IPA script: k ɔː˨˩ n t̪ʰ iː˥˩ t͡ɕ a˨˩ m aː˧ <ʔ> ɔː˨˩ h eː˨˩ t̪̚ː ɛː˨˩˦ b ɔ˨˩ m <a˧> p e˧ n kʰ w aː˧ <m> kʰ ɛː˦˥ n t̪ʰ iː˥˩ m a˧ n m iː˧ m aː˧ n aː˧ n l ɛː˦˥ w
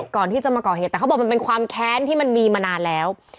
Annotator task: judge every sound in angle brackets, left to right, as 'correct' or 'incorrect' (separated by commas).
incorrect, correct, correct